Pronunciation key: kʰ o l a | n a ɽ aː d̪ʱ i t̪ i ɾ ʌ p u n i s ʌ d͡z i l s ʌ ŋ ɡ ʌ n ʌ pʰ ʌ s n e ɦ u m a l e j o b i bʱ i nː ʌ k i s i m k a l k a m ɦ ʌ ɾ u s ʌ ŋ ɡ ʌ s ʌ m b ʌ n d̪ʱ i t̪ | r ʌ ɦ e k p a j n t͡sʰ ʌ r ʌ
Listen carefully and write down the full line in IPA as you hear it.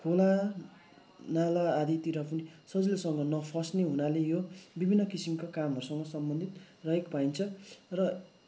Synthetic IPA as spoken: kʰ o l a | n a l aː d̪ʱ i t̪ i ɾ ʌ p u n i s ʌ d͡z i l s ʌ ŋ ɡ ʌ n ʌ pʰ ʌ s n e ɦ u n a l e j o b i bʱ i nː ʌ k i s i m k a k a m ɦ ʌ ɾ u s ʌ ŋ ɡ ʌ s ʌ m b ʌ n d̪ʱ i t̪ | r ʌ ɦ e k p a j n t͡sʰ ʌ r ʌ